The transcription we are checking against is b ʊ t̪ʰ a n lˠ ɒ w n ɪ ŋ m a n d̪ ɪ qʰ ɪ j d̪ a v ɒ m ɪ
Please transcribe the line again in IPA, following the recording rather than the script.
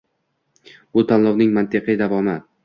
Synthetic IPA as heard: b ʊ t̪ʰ a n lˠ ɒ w n ɪ ŋ m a n t̪ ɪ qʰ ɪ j d̪ a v ɒ m ɪ